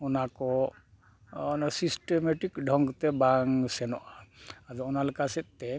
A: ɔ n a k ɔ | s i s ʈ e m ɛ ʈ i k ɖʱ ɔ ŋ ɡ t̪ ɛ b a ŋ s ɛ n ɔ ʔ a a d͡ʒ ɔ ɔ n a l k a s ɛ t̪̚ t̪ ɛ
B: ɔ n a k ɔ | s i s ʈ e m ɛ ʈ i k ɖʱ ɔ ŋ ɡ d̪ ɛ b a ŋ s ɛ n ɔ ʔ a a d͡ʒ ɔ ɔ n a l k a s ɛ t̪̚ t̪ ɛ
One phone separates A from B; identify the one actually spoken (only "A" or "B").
A